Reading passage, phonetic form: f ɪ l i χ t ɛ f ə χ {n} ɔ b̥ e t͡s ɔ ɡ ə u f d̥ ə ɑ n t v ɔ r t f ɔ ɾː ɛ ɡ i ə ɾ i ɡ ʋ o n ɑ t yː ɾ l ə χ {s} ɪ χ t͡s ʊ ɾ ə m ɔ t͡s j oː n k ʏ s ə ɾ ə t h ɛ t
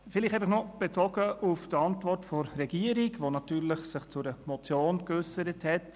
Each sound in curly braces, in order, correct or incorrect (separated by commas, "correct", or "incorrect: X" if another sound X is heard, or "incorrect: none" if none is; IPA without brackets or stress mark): correct, correct